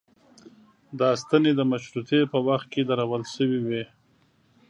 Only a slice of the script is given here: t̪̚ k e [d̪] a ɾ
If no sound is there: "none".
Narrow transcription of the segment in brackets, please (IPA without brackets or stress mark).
d̪